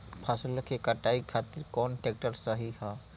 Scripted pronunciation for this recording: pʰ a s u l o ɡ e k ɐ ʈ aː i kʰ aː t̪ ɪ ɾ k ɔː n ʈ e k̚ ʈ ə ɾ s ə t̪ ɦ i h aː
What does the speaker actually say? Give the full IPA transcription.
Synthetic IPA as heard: pʰ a s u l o k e k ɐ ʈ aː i kʰ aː t̪ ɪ ɾ k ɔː n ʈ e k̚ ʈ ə ɾ s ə ɦ i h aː